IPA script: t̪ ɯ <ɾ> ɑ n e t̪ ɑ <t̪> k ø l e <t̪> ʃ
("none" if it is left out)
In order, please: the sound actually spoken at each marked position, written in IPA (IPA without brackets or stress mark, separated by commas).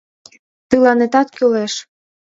l, t̪, none